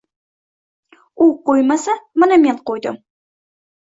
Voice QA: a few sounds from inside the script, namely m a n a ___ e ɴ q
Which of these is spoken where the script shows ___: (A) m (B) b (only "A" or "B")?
A